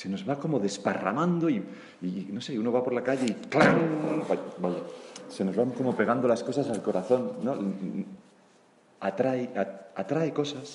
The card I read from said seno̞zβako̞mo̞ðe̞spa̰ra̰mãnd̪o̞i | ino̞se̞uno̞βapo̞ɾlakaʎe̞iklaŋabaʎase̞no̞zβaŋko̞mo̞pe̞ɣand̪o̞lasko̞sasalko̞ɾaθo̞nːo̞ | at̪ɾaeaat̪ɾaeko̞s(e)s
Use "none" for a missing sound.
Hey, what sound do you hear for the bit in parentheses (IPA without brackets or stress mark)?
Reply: a